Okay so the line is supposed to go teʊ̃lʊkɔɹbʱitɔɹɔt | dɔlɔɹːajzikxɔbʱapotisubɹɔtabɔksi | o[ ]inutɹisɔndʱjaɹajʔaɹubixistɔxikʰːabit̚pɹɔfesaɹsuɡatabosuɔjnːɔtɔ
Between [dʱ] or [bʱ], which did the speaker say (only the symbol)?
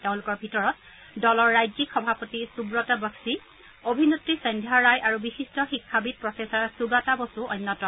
bʱ